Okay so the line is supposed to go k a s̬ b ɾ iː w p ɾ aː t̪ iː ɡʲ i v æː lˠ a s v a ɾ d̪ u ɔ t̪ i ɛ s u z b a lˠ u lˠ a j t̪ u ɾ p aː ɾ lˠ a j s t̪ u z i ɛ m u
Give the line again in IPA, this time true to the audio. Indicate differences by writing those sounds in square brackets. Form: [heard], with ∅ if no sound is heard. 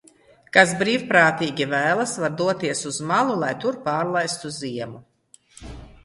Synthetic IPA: k a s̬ b ɾ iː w p ɾ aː t̪ iː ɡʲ i v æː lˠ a s v a ɾ d̪ u ɔ t̪ i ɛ s u z [m] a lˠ u lˠ a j t̪ u ɾ p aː ɾ lˠ a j s t̪ u z i ɛ m u